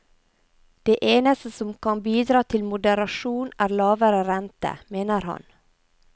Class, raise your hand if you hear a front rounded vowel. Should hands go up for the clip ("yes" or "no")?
no